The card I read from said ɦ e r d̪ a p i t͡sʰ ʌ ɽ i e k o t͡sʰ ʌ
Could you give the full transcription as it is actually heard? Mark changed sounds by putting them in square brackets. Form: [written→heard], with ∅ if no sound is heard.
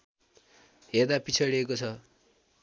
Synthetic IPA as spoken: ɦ e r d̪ a p i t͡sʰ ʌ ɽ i e k o t͡sʰ ʌ